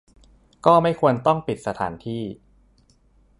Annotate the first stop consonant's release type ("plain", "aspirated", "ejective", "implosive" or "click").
plain